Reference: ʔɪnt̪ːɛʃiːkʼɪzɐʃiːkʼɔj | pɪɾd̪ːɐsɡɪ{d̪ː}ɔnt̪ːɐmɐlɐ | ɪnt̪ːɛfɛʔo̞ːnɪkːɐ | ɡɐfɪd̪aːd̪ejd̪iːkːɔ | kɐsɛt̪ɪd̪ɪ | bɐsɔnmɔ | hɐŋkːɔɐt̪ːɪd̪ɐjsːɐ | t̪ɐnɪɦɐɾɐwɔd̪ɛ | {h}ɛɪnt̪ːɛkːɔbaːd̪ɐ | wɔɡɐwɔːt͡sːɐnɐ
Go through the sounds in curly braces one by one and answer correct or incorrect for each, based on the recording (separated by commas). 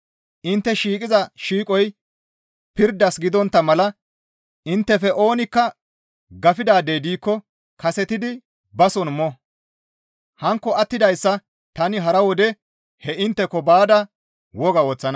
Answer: incorrect, correct